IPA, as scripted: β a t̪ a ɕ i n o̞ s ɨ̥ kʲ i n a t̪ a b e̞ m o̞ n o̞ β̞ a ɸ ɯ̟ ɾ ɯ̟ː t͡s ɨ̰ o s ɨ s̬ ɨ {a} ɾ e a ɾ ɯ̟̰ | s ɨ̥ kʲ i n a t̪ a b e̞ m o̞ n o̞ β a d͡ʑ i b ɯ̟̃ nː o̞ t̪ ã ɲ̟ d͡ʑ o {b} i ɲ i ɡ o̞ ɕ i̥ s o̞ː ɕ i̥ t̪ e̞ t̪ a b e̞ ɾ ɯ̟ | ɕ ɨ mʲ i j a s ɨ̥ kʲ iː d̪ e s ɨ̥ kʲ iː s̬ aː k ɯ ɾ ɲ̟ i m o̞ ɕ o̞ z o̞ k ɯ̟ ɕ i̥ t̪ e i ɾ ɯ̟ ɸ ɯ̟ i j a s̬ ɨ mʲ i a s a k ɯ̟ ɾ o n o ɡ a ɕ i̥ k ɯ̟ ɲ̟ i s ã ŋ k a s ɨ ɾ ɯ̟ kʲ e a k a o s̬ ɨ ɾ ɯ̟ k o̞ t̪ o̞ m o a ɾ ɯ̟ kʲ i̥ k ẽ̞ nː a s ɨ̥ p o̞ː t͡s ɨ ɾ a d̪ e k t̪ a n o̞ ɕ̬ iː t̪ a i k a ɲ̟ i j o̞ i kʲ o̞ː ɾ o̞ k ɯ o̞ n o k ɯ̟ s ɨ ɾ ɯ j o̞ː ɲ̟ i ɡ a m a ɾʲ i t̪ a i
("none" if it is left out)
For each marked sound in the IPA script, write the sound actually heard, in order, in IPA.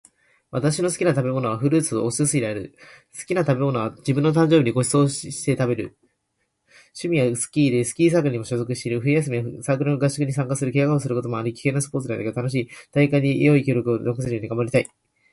i, b

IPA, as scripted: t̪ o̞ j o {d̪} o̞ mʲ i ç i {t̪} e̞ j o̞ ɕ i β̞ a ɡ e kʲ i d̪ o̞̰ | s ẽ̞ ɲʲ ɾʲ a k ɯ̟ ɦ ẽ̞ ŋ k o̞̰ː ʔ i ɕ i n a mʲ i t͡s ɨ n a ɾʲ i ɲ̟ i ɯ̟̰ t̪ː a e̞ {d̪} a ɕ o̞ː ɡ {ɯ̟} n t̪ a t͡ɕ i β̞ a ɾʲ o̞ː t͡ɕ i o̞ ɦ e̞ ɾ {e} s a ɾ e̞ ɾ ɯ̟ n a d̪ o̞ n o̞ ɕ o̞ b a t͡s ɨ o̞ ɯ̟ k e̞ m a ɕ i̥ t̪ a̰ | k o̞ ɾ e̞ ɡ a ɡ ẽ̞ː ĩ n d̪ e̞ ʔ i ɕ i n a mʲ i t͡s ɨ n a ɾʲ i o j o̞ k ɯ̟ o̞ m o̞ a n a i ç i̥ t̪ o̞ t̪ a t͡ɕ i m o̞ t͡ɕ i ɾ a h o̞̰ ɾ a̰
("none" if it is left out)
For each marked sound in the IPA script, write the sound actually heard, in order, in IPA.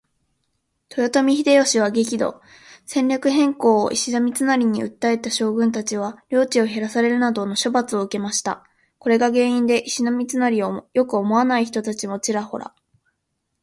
t̪, d̪, t̪, ɯ̟̃, a

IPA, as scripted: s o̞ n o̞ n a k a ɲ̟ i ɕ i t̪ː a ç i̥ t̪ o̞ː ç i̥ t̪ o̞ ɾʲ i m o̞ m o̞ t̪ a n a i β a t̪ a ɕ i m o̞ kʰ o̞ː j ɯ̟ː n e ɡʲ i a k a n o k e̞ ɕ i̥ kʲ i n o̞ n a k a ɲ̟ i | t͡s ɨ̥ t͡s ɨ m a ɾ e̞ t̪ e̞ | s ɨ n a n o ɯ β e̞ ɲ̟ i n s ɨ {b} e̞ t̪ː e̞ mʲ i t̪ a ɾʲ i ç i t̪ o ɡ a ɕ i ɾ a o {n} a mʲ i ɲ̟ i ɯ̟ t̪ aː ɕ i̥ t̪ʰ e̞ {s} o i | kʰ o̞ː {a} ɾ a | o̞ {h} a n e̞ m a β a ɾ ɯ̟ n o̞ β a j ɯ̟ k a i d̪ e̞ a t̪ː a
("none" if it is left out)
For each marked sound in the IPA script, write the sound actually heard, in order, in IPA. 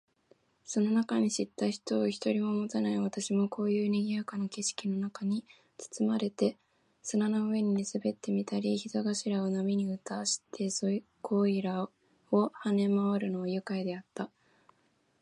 b, n, s, i, h

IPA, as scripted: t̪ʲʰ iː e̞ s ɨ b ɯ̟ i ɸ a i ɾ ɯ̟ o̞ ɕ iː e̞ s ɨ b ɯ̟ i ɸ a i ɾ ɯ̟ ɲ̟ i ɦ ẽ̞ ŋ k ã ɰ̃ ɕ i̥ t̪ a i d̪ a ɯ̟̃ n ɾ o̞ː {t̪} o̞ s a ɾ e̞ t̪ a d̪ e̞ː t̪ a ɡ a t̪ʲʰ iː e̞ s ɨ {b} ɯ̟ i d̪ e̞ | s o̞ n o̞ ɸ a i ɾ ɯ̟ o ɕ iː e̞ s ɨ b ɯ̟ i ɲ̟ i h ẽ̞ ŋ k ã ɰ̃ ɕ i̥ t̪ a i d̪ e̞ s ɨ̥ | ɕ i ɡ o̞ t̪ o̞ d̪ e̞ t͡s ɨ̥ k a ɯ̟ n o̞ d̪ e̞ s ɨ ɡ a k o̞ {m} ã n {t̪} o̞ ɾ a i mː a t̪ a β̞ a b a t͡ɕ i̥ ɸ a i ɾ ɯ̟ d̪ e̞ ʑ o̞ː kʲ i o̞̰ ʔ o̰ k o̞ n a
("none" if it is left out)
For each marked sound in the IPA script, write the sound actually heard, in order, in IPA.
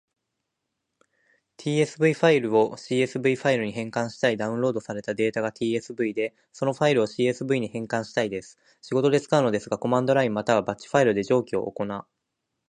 d̪, b, m, d̪

